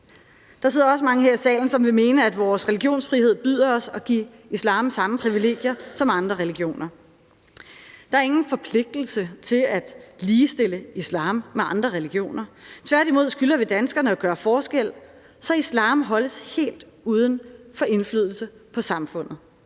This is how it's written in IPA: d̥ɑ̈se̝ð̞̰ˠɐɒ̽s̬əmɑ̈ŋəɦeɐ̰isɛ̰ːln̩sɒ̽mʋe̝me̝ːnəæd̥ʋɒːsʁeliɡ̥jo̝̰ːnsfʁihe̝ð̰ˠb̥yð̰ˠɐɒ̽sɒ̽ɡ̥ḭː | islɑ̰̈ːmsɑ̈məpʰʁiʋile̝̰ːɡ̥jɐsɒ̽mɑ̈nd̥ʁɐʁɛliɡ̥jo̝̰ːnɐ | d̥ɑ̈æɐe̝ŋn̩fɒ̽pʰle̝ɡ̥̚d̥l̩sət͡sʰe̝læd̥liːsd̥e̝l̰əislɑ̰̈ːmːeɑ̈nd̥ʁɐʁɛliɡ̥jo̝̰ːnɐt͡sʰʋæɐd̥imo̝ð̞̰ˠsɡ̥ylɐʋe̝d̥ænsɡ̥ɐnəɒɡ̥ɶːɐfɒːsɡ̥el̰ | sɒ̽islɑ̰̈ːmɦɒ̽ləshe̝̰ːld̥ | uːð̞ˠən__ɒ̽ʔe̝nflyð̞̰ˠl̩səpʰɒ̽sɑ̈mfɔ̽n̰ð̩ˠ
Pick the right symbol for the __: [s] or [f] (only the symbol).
f